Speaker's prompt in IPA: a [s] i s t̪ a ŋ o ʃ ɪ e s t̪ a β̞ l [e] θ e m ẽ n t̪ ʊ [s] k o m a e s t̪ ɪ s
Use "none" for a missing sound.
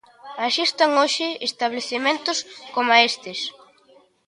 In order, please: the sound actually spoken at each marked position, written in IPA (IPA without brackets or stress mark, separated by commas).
ʃ, e, s